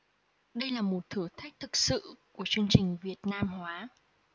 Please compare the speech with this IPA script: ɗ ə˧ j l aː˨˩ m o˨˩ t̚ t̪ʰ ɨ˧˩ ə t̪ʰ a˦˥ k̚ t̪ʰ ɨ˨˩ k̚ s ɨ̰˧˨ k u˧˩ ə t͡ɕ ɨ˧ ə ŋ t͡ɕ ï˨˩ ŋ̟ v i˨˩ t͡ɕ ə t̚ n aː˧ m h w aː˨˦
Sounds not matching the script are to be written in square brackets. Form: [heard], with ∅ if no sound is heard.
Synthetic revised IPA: ɗ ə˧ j l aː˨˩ m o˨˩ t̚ t̪ʰ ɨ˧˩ ə t̪ʰ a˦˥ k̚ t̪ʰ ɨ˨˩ k̚ s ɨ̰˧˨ k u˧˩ ə t͡ɕ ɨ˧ ə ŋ t͡ɕ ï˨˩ ŋ̟ v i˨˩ [∅] ə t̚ n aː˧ m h w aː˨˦